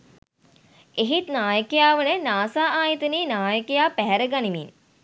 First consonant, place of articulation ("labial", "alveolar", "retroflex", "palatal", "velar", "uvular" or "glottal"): glottal